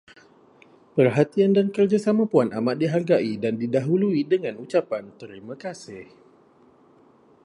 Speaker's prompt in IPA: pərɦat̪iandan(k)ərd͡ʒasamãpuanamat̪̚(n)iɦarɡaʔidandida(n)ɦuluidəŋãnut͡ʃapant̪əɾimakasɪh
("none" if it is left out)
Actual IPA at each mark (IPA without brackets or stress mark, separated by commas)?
k, d, none